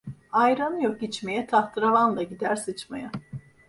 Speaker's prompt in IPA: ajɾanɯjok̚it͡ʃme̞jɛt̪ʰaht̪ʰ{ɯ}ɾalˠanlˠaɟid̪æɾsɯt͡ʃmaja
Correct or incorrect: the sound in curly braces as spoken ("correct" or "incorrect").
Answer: correct